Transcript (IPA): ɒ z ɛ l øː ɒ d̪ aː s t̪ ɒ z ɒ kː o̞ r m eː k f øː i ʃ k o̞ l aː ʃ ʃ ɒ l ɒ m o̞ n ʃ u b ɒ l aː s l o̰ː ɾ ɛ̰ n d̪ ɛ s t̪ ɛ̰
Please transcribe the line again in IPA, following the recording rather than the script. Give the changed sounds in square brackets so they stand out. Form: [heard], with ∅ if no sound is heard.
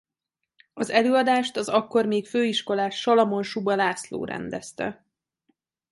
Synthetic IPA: ɒ z ɛ l øː ɒ d̪ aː [ʃ] t̪ ɒ z ɒ kː o̞ r m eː k f øː i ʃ k o̞ l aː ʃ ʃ ɒ l ɒ m o̞ n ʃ u b ɒ l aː s l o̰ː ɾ ɛ̰ n d̪ ɛ s t̪ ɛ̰